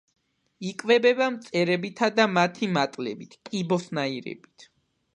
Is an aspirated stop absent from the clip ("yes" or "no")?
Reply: no